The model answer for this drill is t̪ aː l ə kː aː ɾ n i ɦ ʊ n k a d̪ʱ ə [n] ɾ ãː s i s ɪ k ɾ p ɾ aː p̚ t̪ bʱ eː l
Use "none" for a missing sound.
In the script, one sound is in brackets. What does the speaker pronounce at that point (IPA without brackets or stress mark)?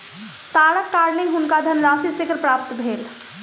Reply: n